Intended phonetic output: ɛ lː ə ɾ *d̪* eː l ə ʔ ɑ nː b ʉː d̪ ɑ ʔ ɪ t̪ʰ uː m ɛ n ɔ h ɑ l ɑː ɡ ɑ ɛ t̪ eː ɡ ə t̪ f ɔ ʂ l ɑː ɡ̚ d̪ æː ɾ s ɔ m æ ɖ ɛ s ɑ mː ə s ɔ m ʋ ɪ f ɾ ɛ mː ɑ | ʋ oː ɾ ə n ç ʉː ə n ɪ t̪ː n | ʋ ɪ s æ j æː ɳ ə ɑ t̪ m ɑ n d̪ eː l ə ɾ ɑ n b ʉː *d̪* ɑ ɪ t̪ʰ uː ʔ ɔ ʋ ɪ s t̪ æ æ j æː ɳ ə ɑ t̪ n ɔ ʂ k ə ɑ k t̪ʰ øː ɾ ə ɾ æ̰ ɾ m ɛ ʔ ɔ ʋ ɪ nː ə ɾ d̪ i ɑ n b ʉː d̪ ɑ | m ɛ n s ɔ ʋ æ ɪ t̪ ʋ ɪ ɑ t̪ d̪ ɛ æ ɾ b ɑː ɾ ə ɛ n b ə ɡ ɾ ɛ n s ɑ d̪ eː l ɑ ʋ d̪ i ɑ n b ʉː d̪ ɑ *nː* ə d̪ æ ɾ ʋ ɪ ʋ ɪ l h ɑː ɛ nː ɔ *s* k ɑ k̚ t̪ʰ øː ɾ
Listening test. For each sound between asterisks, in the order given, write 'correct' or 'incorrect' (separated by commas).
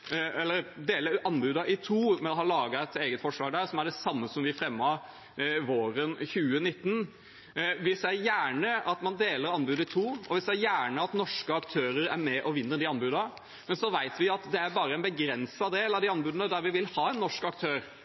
correct, correct, incorrect, incorrect